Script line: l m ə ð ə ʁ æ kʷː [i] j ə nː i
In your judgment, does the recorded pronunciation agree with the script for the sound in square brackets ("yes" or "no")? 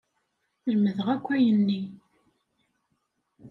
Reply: no